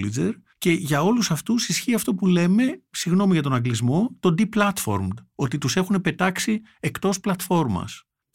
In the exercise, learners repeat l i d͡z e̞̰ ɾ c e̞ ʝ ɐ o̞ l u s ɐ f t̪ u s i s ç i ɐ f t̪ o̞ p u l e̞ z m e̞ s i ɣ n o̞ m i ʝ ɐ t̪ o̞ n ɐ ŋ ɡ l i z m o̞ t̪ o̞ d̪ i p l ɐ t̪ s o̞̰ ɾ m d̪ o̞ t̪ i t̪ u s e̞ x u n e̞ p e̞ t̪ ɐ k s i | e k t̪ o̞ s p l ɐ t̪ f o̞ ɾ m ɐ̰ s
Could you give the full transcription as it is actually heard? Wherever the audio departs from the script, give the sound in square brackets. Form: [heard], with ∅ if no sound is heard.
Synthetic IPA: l i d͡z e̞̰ ɾ c e̞ ʝ ɐ o̞ l u s ɐ f t̪ u s i s ç i ɐ f t̪ o̞ p u l e̞ [∅] m e̞ s i ɣ n o̞ m i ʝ ɐ t̪ o̞ n ɐ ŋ ɡ l i z m o̞ t̪ o̞ d̪ i p l ɐ t̪ [f] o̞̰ ɾ m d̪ o̞ t̪ i t̪ u s e̞ x u n e̞ p e̞ t̪ ɐ k s i | e k t̪ o̞ s p l ɐ t̪ f o̞ ɾ m ɐ̰ s